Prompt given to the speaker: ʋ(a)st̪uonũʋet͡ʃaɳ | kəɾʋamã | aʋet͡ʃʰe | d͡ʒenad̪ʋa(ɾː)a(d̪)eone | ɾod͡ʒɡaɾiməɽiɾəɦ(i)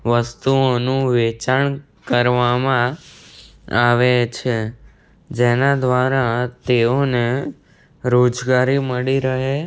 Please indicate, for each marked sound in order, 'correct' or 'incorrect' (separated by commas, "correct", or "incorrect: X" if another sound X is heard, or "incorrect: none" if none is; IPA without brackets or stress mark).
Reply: incorrect: ə, incorrect: ɾ, incorrect: t̪, incorrect: e